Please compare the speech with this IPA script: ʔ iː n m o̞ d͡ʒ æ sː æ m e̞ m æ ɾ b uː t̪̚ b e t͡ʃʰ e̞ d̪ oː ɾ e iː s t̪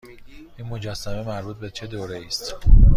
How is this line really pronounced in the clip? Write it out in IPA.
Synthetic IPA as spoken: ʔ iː n m o̞ d͡ʒ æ sː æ m e̞ m æ ɾ b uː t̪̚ b e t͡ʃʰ e̞ d̪ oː ɾ e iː s t̪